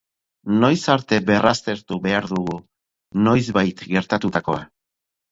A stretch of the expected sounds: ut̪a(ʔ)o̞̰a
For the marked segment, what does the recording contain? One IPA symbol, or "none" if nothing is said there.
k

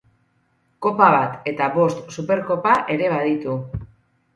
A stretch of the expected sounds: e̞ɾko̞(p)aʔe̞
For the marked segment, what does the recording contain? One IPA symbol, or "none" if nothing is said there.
p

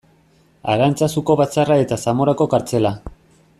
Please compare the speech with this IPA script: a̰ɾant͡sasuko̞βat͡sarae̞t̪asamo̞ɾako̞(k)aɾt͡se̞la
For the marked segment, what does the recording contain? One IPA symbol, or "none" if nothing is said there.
k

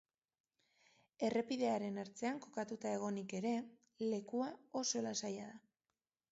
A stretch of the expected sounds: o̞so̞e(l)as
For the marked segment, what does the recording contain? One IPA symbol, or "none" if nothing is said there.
l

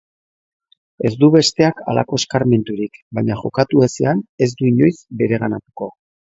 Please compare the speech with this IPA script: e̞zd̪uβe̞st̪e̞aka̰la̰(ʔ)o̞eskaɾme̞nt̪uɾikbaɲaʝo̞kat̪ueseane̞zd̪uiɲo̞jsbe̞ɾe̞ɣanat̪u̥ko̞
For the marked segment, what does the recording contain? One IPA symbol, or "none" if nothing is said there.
k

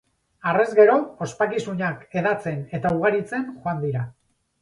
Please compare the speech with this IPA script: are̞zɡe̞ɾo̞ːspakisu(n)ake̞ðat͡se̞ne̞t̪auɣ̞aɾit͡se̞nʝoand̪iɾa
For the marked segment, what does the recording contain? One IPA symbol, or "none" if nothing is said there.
ɲ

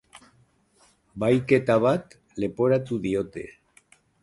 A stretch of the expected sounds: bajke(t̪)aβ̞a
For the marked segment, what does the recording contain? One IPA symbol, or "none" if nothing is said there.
t̪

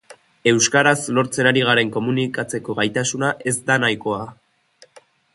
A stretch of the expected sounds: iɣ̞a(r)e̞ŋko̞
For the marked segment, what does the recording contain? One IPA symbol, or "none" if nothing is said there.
ɾ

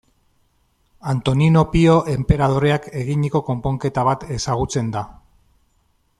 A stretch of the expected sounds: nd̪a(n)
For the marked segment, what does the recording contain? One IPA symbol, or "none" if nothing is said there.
none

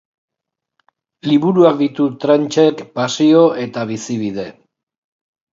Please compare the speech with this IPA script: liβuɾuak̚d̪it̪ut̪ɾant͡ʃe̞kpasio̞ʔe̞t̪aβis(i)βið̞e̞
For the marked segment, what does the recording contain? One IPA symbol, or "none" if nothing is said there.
i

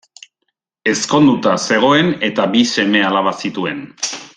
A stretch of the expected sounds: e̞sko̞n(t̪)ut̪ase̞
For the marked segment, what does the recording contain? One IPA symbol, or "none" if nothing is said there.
d̪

